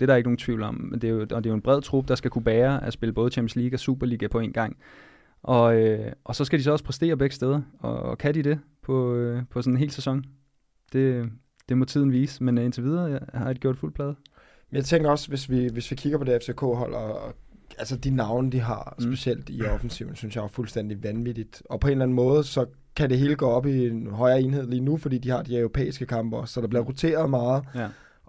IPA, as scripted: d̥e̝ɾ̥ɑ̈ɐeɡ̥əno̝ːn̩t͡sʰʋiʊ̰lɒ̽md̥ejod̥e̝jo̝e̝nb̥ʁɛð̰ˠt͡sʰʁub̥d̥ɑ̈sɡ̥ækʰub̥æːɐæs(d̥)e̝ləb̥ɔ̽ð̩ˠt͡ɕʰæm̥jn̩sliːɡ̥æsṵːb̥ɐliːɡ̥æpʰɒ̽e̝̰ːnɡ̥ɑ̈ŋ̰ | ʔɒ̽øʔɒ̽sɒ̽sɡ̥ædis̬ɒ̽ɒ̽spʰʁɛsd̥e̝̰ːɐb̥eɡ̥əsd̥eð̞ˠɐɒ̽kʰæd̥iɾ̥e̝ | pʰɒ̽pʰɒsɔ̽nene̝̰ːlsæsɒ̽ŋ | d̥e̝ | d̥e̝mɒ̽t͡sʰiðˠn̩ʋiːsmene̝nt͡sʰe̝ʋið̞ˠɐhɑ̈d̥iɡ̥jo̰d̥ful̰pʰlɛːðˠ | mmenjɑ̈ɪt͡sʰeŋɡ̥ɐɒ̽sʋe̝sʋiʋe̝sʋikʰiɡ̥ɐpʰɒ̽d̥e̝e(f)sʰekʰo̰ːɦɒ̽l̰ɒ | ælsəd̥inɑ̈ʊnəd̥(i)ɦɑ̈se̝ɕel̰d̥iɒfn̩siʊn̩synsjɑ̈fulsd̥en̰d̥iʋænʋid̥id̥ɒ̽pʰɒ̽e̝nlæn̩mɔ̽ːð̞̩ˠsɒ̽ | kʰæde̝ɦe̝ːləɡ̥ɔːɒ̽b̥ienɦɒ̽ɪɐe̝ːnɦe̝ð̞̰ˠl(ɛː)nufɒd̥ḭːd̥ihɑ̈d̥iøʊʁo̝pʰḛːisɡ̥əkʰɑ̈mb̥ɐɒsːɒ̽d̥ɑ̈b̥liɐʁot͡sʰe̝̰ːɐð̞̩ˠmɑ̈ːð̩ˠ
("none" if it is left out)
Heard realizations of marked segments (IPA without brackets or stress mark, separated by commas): b̥, f, i, iː